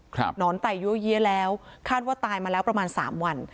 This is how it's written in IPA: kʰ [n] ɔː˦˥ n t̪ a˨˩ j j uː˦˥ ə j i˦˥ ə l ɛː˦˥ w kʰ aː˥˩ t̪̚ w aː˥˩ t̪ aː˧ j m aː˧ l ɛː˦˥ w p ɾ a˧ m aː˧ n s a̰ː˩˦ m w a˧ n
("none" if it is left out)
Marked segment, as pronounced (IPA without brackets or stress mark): n